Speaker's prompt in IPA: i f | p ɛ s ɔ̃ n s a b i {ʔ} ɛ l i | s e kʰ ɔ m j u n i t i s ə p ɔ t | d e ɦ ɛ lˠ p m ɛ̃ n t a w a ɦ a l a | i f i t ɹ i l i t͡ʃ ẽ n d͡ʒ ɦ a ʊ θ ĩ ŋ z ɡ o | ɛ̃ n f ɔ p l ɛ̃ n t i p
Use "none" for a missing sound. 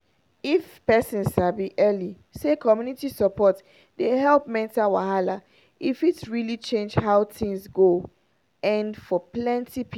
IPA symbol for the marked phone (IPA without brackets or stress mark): ʔ